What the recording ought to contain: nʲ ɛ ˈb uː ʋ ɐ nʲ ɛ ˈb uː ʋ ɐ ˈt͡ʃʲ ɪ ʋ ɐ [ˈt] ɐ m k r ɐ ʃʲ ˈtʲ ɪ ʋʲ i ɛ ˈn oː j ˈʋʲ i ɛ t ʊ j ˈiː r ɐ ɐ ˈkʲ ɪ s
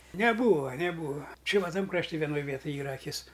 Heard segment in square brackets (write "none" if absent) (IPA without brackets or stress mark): t